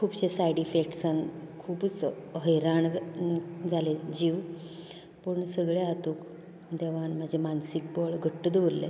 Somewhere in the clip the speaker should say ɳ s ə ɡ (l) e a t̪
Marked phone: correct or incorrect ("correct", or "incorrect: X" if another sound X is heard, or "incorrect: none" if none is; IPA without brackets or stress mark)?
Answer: incorrect: ɭ